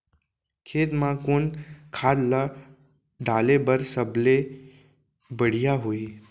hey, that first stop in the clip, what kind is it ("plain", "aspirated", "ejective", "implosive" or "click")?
aspirated